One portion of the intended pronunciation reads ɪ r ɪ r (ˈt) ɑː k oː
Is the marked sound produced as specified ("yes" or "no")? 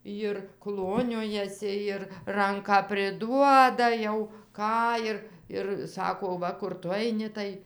no